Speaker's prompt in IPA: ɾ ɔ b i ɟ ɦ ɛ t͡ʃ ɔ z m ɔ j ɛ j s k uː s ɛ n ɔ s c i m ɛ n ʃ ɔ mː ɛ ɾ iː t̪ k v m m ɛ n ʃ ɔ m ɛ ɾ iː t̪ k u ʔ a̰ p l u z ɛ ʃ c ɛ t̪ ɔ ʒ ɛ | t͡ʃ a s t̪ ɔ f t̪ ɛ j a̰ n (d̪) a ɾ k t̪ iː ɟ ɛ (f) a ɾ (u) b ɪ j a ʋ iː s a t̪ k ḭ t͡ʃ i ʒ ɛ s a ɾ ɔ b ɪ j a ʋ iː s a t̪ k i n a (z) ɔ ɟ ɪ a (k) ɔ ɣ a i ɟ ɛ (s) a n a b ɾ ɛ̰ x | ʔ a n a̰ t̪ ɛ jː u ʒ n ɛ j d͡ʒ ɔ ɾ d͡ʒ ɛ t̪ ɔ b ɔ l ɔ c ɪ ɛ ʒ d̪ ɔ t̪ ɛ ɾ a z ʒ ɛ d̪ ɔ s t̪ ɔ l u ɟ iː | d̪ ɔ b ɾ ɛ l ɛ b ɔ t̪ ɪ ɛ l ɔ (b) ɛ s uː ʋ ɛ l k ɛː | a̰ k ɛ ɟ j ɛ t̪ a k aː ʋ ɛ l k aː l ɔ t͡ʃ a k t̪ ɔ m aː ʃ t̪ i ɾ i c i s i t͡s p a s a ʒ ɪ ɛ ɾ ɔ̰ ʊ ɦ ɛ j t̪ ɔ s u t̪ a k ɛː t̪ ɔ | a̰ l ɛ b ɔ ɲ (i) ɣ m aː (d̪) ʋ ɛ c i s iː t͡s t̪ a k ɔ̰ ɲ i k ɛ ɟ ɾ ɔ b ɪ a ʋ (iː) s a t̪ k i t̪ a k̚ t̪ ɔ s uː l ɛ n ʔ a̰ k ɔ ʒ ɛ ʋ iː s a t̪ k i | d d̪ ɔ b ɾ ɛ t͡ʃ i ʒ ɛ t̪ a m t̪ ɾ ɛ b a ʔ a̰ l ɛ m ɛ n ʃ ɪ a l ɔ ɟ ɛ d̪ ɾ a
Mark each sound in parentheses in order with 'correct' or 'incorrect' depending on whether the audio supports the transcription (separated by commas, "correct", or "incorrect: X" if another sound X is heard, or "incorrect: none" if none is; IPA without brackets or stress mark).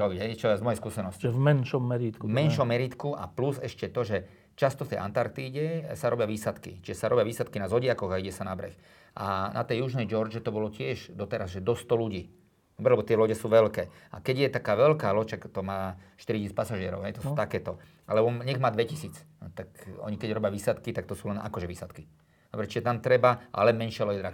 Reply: incorrect: t̪, incorrect: s, incorrect: ɔ, correct, correct, correct, incorrect: ɟ, incorrect: ɛ, correct, correct